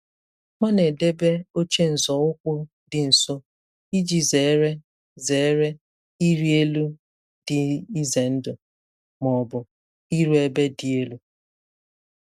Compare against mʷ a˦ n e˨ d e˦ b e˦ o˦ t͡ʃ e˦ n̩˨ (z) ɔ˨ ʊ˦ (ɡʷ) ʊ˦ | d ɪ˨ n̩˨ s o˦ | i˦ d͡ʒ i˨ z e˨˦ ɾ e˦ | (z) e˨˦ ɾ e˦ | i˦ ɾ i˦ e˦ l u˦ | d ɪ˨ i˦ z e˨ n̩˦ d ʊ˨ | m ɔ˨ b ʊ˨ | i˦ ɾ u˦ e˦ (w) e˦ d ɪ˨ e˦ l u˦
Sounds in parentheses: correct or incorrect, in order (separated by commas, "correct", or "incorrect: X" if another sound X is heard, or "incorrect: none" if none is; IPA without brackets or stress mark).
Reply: correct, incorrect: kʷ, correct, incorrect: b